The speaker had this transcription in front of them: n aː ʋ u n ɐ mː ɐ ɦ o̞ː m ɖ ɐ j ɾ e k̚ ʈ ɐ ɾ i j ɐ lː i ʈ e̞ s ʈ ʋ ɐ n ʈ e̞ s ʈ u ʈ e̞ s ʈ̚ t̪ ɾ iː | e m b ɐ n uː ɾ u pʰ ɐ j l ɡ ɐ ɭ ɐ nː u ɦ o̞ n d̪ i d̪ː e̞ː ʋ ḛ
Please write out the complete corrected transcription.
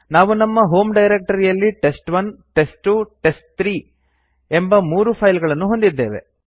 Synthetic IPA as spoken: n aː ʋ u n ɐ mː ɐ ɦ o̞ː m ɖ ɐ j ɾ e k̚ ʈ ɐ ɾ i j ɐ lː i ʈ e̞ s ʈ ʋ ɐ n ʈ e̞ s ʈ u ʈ e̞ s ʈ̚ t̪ ɾ iː | e m b ɐ m uː ɾ u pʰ ɐ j l ɡ ɐ ɭ ɐ nː u ɦ o̞ n d̪ i d̪ː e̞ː ʋ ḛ